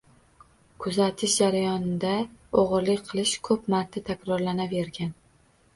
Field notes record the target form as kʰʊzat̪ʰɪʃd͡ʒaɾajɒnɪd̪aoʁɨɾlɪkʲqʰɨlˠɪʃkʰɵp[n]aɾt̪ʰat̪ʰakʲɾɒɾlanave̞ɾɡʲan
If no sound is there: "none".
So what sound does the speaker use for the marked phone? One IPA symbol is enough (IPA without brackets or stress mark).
m